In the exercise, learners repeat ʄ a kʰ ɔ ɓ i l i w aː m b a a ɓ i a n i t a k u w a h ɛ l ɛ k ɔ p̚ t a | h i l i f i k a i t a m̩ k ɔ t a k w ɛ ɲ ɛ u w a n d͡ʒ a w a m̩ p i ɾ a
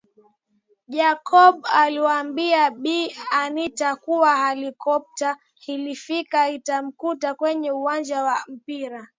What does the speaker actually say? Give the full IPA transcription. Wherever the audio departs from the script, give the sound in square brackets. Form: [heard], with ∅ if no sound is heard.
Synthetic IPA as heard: ʄ a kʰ ɔ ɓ [a] l i w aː m b [i] a ɓ i a n i t a k u w a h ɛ l [i] k ɔ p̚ t a | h i l i f i k a i t a m̩ k [u] t a k w ɛ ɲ ɛ u w a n d͡ʒ a w a m̩ p i ɾ a